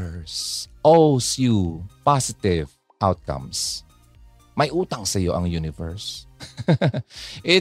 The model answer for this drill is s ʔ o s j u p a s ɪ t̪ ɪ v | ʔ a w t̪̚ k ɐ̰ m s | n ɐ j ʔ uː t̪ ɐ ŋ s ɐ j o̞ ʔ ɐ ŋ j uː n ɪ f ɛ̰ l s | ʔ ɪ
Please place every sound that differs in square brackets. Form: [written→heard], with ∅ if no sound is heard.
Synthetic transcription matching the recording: s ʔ o s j u p a s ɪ t̪ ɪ v | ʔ a w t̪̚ k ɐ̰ m s | [n→m] ɐ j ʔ uː t̪ ɐ ŋ s ɐ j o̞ ʔ ɐ ŋ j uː n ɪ [f→v] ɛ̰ [l→ɹ] s | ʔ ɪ